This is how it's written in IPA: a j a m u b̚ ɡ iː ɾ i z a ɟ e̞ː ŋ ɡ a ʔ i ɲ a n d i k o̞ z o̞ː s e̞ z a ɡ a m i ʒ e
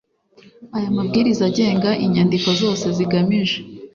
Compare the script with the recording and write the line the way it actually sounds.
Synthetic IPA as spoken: a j a m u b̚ ɡ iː ɾ i z a ɟ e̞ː ŋ ɡ a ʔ i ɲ a n d i k o̞ z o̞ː s e̞ z i ɡ a m i ʒ e